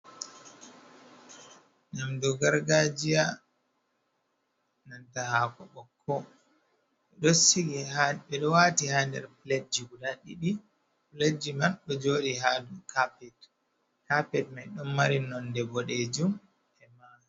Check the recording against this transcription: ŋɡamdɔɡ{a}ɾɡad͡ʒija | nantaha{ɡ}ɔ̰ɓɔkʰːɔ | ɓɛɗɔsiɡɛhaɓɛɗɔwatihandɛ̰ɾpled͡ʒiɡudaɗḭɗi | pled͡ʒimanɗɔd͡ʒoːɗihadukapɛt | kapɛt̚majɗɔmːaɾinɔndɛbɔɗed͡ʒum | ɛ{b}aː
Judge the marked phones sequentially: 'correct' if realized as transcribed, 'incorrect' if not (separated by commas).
correct, incorrect, incorrect